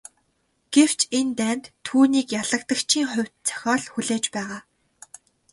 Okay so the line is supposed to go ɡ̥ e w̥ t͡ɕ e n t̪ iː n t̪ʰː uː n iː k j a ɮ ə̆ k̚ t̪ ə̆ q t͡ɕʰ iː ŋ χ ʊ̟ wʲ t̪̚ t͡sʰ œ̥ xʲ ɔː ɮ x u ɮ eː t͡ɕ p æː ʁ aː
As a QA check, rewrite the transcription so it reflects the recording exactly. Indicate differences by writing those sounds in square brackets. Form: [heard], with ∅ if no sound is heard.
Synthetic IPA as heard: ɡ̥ e w̥ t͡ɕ e n t̪ [æː] n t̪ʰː uː n iː k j a ɮ ə̆ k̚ t̪ ə̆ [k] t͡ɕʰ iː ŋ χ ʊ̟ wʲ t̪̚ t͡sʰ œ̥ xʲ ɔː ɮ x u ɮ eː t͡ɕ p æː ʁ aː